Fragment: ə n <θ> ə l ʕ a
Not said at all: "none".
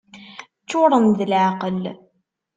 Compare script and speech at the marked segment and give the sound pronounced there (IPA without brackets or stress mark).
ð